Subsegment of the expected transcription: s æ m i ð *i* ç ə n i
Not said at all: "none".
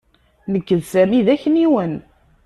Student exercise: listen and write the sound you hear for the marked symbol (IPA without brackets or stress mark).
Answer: æ